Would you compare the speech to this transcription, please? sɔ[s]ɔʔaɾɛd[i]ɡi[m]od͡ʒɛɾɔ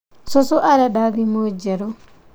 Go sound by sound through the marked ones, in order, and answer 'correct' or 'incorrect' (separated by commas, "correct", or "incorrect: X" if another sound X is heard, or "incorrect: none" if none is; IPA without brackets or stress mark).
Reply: correct, incorrect: a, correct